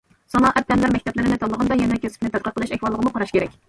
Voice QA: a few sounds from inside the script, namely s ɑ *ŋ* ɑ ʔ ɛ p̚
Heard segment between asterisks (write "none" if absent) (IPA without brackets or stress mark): n